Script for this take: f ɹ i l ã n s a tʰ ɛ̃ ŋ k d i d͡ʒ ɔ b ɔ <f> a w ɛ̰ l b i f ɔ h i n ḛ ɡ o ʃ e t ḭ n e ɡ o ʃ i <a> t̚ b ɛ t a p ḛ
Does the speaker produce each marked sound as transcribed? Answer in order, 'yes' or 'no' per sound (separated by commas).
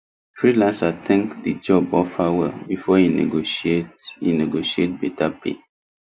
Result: yes, no